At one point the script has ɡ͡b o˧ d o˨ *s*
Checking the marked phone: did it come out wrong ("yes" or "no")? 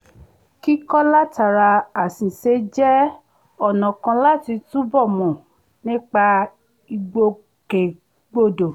yes